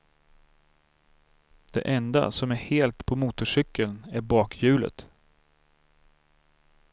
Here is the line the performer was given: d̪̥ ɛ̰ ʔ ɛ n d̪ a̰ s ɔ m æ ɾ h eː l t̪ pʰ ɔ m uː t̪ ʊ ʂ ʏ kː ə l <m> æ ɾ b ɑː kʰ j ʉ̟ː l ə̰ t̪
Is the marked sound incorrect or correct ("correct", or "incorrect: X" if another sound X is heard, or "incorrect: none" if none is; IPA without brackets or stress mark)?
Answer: incorrect: n